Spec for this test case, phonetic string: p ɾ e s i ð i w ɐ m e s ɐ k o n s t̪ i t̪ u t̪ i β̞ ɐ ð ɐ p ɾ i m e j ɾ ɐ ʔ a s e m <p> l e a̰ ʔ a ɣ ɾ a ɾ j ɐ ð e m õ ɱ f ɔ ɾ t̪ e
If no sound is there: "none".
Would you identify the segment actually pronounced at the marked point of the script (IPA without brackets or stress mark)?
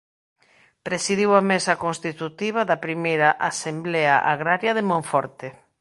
b